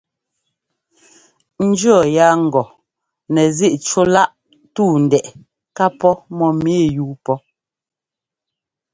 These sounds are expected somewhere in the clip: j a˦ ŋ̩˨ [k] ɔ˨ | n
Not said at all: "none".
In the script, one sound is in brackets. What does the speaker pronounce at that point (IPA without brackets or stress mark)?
ɡ